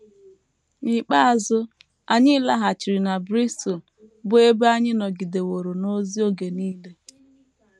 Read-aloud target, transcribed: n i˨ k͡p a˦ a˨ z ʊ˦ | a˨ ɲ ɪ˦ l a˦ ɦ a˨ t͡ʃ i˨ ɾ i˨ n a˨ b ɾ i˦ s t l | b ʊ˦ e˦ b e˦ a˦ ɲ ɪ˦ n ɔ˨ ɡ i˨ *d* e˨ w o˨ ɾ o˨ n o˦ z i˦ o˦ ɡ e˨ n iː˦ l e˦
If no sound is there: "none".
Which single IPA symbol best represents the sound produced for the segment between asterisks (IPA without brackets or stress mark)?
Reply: d